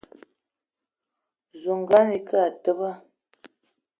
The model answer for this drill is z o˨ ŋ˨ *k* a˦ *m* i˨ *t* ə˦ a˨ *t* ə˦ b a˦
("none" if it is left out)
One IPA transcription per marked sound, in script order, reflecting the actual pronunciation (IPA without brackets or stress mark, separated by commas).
ɡ, n, k, t